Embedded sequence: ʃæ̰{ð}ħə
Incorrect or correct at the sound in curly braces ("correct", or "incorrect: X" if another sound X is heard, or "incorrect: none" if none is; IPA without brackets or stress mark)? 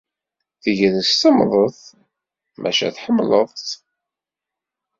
incorrect: θ